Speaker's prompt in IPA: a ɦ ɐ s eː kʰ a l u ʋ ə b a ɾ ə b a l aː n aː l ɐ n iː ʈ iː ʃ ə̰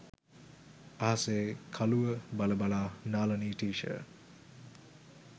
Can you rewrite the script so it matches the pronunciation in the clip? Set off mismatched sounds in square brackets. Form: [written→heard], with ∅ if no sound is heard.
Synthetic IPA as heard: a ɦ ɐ s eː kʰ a l u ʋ ə b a [ɾ→l] ə b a l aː n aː l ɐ n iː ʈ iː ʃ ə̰